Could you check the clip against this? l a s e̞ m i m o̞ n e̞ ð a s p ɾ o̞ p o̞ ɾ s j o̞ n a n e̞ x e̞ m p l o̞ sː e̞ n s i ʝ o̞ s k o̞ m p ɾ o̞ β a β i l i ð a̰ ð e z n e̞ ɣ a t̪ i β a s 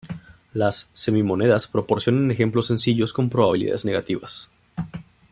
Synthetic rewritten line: l a sː e̞ m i m o̞ n e̞ ð a s p ɾ o̞ p o̞ ɾ s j o̞ n a n e̞ x e̞ m p l o̞ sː e̞ n s i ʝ o̞ s k o̞ m p ɾ o̞ β a β i l i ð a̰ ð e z n e̞ ɣ a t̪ i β a s